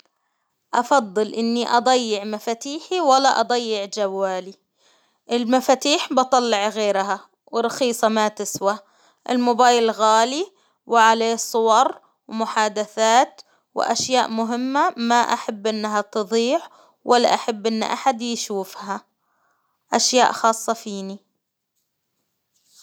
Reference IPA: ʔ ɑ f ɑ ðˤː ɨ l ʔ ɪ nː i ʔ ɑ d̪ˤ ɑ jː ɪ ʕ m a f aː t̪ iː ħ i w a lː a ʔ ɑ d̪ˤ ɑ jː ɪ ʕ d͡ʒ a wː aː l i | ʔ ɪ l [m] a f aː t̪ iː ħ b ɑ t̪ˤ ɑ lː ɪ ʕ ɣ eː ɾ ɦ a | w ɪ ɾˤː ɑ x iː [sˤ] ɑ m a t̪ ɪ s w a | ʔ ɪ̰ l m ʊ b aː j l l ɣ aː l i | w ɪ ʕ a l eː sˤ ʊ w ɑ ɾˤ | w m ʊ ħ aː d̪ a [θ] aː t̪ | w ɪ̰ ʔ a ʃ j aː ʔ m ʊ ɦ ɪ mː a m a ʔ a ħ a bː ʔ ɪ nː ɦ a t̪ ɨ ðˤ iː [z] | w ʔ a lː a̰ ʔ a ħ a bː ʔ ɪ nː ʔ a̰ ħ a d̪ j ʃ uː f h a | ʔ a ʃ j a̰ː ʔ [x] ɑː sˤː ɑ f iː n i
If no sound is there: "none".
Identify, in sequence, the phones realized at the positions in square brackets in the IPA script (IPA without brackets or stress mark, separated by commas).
m, sˤ, θ, ʕ, x